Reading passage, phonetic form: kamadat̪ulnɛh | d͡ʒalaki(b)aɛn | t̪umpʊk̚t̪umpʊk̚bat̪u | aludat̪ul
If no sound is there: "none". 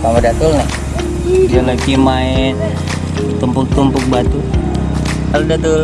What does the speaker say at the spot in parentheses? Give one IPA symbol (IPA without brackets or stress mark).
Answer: m